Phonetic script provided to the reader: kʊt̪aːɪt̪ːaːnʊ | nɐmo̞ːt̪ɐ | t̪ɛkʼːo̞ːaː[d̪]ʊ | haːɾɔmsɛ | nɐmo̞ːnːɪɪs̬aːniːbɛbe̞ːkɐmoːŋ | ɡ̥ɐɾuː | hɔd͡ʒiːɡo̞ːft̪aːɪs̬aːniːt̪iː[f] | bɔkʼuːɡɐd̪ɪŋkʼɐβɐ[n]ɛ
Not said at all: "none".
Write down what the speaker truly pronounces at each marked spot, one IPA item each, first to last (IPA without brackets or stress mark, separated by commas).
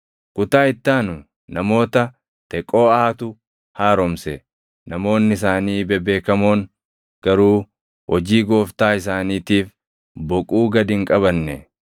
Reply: t̪, f, nː